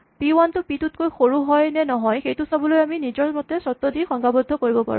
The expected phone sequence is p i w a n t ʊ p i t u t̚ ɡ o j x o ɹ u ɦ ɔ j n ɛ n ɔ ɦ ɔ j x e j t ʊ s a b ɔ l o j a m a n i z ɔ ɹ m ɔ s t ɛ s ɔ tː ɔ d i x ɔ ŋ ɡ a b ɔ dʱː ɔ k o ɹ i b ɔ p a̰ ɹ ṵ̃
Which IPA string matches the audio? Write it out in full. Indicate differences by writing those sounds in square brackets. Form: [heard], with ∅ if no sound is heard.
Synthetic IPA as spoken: p i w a n t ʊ p i t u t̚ [k] o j x o ɹ u ɦ ɔ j n ɛ n ɔ ɦ ɔ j x e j t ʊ s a b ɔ l o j a m [i] n i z ɔ ɹ m ɔ [∅] t ɛ s ɔ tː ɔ d i x ɔ ŋ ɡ a b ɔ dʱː ɔ k o ɹ i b ɔ p a̰ ɹ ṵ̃